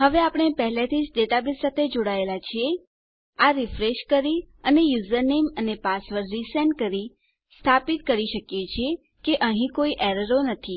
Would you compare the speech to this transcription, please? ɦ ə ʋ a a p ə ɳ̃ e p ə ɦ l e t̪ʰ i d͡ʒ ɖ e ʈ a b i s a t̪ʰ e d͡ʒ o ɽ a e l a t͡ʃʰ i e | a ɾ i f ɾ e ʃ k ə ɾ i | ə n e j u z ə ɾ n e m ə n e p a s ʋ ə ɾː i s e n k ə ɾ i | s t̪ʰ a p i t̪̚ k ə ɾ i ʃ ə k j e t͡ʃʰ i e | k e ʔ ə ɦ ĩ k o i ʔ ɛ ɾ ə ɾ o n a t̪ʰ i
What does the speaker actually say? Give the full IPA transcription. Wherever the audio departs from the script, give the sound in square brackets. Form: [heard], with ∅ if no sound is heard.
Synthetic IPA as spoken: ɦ ə ʋ [e] a p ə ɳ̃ e p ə ɦ l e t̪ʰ i d͡ʒ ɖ e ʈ a b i s a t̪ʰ e d͡ʒ o ɽ a e l a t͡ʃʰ i e | a ɾ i f ɾ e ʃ k ə ɾ i | ə n e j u z ə ɾ n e m ə n e p a s ʋ ə ɾː i s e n k ə ɾ i | s t̪ʰ a p i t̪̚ k ə ɾ i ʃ ə k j e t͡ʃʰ i e | k e ʔ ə ɦ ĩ k o i ʔ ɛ ɾ ə ɾ o n [ə] t̪ʰ i